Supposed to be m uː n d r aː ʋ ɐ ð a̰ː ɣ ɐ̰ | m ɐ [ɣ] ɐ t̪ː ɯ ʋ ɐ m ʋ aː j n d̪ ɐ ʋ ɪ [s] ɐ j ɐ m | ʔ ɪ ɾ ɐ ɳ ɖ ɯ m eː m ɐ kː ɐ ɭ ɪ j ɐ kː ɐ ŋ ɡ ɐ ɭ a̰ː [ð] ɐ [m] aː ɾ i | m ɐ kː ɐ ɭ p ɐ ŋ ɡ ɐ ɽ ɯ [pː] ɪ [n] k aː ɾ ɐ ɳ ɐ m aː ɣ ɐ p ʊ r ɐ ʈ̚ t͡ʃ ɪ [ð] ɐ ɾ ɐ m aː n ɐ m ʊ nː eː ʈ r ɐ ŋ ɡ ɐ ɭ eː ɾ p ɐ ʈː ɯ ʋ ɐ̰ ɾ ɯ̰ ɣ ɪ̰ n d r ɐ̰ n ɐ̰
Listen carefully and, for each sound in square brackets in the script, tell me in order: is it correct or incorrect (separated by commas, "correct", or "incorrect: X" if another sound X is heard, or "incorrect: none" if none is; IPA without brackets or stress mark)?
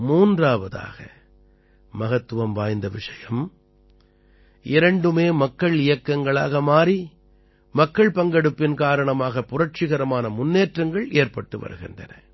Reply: correct, incorrect: ʂ, incorrect: ɣ, correct, correct, correct, incorrect: ɣ